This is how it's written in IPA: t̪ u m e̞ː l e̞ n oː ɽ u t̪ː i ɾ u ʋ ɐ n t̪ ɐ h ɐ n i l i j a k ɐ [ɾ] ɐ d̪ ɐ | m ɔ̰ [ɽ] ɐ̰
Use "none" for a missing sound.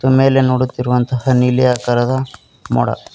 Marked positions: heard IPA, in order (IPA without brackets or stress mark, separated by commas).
ɾ, ɽ